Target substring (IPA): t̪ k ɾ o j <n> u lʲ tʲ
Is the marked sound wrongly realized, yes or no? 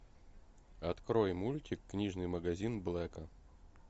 yes